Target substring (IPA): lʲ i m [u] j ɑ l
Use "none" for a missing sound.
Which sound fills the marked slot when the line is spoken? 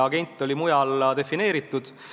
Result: u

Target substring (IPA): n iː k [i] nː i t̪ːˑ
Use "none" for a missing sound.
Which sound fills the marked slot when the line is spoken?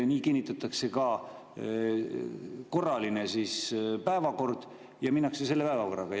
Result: i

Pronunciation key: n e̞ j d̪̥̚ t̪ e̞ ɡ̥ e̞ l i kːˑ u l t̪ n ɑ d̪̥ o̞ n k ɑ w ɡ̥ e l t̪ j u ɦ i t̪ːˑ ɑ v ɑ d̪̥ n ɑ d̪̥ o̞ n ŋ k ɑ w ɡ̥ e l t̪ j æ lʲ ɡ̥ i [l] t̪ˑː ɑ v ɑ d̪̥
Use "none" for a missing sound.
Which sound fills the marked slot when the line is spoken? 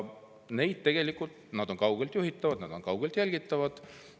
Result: none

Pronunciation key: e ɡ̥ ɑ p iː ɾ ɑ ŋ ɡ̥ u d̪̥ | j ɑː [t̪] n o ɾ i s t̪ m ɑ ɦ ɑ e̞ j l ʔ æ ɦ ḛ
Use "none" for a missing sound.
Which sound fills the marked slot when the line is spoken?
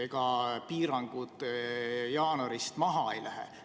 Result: none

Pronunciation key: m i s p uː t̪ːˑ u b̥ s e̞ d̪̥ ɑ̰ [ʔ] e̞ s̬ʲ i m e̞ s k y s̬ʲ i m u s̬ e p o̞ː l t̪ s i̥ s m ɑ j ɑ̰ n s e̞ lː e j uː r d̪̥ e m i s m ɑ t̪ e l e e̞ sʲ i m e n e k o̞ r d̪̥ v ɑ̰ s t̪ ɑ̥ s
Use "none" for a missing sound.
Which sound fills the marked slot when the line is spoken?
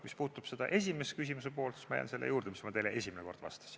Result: ʔ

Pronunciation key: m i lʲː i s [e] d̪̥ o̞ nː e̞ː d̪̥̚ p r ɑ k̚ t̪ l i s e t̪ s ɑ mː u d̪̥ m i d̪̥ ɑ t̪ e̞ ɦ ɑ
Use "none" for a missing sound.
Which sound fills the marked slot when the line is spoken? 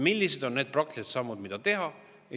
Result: e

